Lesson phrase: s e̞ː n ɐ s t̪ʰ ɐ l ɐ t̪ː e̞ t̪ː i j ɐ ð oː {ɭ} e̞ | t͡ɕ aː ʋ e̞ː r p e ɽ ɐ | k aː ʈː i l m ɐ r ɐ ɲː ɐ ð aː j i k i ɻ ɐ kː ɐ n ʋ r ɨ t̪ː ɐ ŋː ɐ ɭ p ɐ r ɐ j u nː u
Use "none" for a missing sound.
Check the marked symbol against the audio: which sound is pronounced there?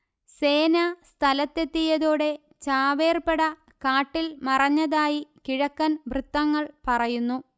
ɽ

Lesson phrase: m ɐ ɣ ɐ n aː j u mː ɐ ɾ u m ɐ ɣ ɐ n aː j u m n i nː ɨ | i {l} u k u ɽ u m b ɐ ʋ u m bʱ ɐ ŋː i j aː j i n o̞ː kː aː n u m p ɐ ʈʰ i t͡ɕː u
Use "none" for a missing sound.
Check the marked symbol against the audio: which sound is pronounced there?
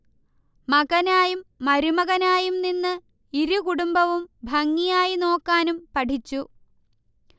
ɾ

